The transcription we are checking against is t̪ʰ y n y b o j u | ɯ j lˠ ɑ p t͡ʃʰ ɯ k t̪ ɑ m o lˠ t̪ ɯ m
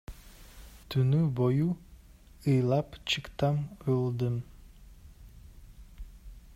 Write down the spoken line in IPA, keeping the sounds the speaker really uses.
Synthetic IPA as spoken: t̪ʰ y n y b o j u | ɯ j lˠ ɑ p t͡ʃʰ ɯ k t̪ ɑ m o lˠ d̪ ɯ m